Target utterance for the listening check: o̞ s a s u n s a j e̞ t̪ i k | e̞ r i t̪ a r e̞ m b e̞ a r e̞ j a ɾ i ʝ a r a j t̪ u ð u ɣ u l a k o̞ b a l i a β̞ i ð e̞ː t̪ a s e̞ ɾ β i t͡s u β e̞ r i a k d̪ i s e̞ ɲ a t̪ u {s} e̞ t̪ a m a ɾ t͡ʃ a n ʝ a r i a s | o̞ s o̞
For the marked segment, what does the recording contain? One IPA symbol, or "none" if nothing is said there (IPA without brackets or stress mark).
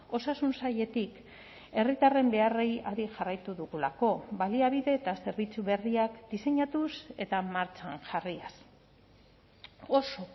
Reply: s